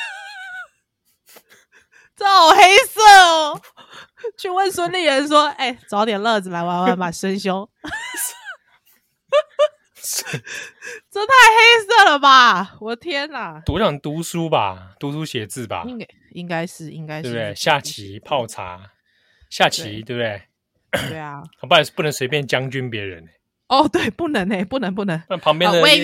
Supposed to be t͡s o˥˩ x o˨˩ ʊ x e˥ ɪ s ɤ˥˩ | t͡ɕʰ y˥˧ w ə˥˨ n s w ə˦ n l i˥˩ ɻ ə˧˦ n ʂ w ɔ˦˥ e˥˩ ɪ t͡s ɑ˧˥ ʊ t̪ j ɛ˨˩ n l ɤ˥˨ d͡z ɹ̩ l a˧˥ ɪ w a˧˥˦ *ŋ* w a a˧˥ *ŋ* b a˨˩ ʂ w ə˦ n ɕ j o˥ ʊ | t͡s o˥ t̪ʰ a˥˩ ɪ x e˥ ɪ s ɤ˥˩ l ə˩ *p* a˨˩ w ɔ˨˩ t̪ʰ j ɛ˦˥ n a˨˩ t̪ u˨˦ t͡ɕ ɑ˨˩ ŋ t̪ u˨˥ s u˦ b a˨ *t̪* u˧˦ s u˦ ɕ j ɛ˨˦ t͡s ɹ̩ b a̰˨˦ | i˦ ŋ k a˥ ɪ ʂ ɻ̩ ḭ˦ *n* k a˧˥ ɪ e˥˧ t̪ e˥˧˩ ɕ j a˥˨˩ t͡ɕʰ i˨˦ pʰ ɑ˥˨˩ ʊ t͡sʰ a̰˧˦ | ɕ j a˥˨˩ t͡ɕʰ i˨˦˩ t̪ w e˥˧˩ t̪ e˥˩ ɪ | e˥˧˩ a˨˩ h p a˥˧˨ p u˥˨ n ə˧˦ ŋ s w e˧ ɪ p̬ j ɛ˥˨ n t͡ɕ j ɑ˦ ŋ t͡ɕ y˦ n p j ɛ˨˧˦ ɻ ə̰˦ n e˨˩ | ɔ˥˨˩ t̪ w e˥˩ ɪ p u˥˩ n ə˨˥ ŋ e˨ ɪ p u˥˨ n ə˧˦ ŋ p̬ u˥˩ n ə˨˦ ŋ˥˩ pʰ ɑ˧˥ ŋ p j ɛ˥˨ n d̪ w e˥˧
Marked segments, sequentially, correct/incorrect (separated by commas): incorrect, incorrect, incorrect, correct, incorrect